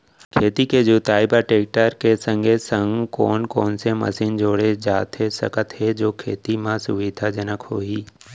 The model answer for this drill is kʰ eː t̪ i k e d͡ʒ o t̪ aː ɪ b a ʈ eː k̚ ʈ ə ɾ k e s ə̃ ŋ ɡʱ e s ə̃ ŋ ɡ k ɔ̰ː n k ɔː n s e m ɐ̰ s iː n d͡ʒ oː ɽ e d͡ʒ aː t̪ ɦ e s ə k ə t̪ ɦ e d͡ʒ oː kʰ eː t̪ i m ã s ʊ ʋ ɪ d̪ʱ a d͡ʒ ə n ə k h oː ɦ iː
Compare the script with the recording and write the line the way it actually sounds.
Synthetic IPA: kʰ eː t̪ i k e d͡ʒ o t̪ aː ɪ b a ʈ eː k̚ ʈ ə ɾ k e s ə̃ ŋ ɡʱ e s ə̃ ŋ ɡ k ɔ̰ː n k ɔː n s e m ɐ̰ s iː n d͡ʒ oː ɽ e d͡ʒ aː t̪ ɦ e s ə k ə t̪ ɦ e d͡ʒ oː kʰ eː t̪ i m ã s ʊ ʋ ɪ d̪ʱ a d͡ʒ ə n ə k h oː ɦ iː

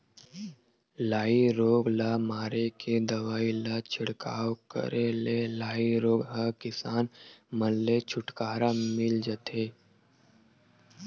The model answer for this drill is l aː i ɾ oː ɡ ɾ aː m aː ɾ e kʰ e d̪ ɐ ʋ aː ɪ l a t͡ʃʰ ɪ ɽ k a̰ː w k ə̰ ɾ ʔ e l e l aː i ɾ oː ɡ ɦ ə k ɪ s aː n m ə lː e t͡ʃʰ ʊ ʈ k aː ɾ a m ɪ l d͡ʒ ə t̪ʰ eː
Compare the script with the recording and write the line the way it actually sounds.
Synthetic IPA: l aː i ɾ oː ɡ l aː m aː ɾ e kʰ e d̪ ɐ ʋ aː i l a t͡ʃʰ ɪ ɽ k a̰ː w k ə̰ ɾ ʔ e l e l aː i ɾ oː ɡ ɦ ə k ɪ s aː n m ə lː e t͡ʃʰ ʊ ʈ k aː ɾ a m ɪ l d͡ʒ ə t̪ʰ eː

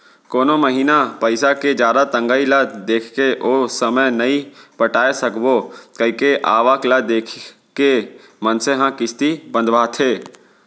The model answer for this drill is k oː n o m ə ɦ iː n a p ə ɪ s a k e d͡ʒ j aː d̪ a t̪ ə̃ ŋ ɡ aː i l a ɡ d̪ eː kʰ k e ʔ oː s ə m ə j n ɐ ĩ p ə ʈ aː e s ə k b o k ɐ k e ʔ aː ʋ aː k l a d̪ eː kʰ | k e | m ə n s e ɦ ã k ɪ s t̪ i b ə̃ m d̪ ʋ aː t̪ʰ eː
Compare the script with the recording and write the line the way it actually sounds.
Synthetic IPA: k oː n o m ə ɦ iː n a p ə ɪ s a k e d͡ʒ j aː d̪ a t̪ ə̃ ŋ ɡ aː i l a d̪ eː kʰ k e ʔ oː s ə m ə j n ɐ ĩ p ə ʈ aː e s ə k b o k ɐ k e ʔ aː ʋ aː k l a d̪ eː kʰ | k e | m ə n s e ɦ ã k ɪ s t̪ i b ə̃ n d̪ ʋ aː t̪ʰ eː

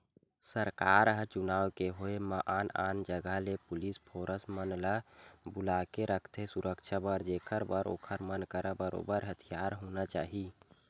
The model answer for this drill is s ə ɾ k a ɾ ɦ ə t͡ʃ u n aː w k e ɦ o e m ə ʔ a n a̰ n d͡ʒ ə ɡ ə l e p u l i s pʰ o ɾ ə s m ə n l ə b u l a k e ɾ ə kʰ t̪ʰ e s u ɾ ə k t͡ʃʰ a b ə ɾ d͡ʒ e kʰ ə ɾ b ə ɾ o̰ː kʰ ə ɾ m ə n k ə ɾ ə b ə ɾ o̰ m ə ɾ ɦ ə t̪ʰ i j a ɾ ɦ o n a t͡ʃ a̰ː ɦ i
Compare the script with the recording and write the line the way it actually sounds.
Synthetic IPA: s ə ɾ k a ɾ ɦ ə t͡ʃ u n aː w k e ɦ o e m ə ʔ a n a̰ n d͡ʒ ə ɡ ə l e p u l i s pʰ o ɾ ə s m ə n l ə b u l a k e ɾ ə kʰ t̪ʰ e s u ɾ ə k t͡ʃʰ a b ə ɾ d͡ʒ e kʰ ə ɾ b ə ɾ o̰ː kʰ ə ɾ m ə n k ə ɾ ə b ə ɾ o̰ b ə ɾ ɦ ə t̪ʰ i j a ɾ ɦ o n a t͡ʃ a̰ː ɦ i

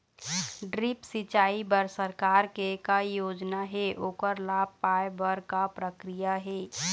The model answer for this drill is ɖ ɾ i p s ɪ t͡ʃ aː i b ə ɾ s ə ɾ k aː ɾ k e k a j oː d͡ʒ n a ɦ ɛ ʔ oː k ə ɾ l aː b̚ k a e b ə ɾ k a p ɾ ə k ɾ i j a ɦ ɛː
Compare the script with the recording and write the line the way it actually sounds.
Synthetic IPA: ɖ ɾ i p s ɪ t͡ʃ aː i b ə ɾ s ə ɾ k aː ɾ k e k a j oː d͡ʒ n a ɦ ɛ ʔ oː k ə ɾ l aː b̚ p a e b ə ɾ k a p ɾ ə k ɾ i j a ɦ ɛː

